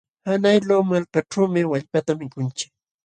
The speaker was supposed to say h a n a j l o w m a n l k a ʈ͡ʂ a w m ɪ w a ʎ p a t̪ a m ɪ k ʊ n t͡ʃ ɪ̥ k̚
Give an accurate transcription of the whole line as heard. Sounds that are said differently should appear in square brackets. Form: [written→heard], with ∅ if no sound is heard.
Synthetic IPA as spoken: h a n a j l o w m a [n→∅] l k a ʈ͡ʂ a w m ɪ w a ʎ p a t̪ a m ɪ k ʊ n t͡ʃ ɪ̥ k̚